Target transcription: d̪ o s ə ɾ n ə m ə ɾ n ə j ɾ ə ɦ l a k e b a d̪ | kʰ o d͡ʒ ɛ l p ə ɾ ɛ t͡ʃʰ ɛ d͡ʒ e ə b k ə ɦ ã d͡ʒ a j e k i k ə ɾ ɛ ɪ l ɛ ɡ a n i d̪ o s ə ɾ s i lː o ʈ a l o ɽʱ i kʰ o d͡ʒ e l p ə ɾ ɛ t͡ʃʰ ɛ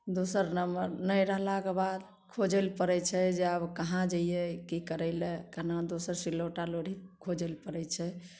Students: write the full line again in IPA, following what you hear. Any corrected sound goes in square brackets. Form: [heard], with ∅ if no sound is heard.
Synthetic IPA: d̪ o s ə ɾ n ə m ə ɾ n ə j ɾ ə ɦ l a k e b a d̪ | kʰ o d͡ʒ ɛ l p ə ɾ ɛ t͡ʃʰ ɛ d͡ʒ e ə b k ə ɦ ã d͡ʒ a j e k i k ə ɾ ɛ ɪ l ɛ [k] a n [a] d̪ o s ə ɾ s i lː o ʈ a l o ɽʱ i kʰ o d͡ʒ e l p ə ɾ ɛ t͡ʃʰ ɛ